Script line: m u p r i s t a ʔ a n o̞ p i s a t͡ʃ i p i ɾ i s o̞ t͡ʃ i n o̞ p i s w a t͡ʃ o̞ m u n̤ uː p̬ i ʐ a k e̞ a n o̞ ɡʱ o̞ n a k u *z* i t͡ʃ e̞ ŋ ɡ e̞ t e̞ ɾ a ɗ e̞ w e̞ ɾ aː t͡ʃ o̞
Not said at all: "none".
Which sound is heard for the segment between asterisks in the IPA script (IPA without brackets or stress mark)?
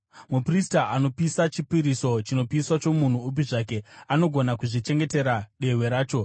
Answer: ʐ